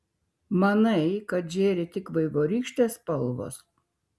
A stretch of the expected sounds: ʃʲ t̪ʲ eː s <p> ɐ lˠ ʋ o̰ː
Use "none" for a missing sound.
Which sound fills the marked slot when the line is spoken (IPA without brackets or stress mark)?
p